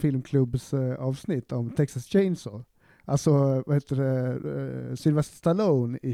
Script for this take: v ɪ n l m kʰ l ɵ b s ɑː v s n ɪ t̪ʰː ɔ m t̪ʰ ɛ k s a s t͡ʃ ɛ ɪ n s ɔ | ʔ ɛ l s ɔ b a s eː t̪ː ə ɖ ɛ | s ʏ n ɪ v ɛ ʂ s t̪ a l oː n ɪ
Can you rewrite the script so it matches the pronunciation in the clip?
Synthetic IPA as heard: f ɪ l m kʰ l ɵ b s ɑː v s n ɪ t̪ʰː ɔ m t̪ʰ ɛ k s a s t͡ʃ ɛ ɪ n s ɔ | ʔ a l s ɔ v a h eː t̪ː ə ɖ ɛ | s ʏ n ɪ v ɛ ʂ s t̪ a l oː n ɪ